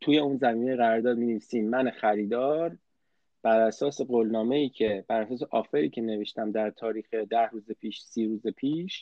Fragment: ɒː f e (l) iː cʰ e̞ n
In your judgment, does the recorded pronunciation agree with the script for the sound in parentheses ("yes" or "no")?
no